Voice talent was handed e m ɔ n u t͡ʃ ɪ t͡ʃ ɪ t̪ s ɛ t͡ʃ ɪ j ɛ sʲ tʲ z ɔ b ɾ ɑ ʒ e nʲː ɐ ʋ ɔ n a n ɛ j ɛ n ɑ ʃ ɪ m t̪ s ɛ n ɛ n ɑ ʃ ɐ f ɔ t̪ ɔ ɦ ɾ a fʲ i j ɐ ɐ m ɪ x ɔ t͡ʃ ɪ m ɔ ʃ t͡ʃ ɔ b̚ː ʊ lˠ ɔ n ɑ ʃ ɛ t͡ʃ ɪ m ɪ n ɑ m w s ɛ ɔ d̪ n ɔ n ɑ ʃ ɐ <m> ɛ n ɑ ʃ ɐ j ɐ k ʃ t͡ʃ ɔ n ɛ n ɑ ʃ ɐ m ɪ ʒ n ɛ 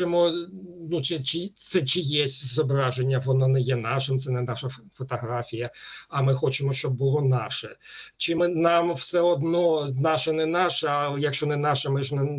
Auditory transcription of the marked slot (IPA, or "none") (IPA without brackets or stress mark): n